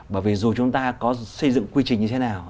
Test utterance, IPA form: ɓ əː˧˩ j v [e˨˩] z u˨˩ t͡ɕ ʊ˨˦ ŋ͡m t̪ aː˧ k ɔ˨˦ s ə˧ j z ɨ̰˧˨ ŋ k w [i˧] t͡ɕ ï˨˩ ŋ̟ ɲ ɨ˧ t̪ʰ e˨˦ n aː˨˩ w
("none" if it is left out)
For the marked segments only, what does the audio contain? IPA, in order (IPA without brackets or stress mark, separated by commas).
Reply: i˨˩, i˧